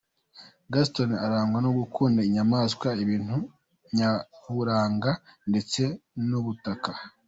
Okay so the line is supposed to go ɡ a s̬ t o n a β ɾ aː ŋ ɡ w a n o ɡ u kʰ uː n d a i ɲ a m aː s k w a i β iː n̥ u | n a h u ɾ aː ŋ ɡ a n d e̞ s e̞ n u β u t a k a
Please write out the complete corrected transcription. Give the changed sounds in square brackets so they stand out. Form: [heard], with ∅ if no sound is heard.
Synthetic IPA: ɡ a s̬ t o n a [∅] ɾ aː ŋ ɡ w a n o ɡ u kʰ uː n d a i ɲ a m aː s k w a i β iː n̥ u | [ɲ] a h u ɾ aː ŋ ɡ a n d e̞ [t͡s] e̞ n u β u t a k a